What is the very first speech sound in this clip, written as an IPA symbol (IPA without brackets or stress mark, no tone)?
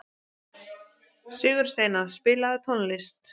s